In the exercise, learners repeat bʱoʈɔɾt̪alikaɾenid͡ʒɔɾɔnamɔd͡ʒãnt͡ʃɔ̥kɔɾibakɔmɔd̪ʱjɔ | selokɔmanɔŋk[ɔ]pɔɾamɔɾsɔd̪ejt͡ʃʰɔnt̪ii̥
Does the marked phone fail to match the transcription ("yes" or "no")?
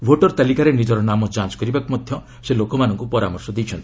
yes